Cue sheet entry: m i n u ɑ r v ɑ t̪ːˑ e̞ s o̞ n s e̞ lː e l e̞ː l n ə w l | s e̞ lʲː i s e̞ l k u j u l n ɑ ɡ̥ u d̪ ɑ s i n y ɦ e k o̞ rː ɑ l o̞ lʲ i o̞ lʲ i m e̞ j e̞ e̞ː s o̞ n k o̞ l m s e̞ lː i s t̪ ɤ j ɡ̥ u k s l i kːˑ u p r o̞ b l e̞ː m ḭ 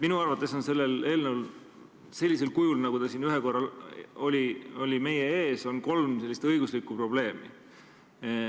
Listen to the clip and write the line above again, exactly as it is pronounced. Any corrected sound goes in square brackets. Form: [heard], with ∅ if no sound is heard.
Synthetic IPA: m i n u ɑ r v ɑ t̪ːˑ e̞ s o̞ n s e̞ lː e l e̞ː l n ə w l | s e̞ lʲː i s e̞ l k u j u l n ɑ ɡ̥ u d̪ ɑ s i n y ɦ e k o̞ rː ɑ l o̞ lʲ i o̞ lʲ i m e̞ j e̞ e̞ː s o̞ n k o̞ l m s e̞ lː i s t̪ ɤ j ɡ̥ u [∅] s l i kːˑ u p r o̞ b l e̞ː m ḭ